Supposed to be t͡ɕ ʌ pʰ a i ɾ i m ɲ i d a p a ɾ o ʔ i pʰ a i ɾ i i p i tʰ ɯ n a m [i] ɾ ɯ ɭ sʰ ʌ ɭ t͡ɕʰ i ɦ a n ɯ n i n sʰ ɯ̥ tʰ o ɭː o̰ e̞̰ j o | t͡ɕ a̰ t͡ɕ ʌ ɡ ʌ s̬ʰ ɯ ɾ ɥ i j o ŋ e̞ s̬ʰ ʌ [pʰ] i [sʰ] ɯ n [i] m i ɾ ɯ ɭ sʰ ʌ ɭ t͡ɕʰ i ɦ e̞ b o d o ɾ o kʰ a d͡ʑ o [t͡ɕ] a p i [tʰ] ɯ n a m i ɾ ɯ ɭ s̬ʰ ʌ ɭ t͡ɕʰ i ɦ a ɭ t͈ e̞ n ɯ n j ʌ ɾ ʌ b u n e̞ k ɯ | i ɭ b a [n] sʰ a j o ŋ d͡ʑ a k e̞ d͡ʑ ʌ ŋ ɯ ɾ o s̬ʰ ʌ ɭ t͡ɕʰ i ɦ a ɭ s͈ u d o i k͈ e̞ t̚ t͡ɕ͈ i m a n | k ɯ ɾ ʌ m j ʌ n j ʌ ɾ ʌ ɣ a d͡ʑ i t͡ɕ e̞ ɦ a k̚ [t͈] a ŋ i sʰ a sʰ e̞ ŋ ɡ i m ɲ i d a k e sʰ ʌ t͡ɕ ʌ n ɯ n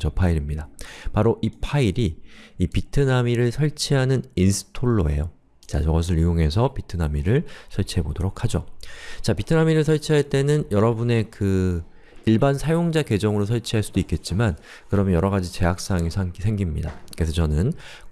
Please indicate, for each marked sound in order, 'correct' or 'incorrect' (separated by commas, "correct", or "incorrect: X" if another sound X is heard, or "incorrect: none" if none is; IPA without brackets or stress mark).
correct, incorrect: p, incorrect: tʰ, incorrect: a, correct, correct, correct, incorrect: s͈